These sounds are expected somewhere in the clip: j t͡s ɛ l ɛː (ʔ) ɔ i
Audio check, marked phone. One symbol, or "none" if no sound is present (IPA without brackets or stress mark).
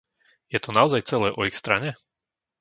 ʔ